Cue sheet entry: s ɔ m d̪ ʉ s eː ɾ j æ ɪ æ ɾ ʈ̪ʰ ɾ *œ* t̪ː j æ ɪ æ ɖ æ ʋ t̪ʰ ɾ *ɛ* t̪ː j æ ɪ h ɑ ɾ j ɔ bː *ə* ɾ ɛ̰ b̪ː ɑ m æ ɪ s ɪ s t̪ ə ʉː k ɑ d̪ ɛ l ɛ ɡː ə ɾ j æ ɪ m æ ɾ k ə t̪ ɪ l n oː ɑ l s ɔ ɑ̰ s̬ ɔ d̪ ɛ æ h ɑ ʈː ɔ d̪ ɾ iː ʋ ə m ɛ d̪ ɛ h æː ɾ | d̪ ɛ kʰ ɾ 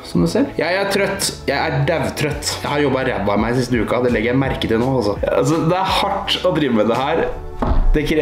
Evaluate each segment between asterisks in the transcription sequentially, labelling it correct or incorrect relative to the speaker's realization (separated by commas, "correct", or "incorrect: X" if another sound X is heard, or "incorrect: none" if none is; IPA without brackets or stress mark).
correct, incorrect: œ, incorrect: ɑ